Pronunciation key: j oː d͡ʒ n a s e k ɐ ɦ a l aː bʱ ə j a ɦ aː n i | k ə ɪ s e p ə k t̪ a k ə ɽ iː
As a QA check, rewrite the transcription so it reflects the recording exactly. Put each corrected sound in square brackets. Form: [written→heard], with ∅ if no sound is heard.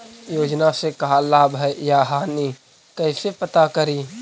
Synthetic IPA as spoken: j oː d͡ʒ n a s e k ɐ ɦ a l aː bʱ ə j a ɦ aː n i | k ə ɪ s e p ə [k→∅] t̪ a k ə [ɽ→ɾ] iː